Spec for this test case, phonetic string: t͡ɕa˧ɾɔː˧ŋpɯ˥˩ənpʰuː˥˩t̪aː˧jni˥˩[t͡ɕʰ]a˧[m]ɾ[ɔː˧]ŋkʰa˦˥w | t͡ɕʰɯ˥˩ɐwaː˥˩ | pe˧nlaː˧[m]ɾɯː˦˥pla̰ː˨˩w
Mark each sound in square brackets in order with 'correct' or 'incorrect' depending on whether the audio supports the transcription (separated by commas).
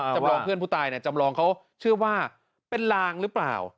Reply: incorrect, correct, correct, incorrect